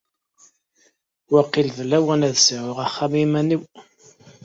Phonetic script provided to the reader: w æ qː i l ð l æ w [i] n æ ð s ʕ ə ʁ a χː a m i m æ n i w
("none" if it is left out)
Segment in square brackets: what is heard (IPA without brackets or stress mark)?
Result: æ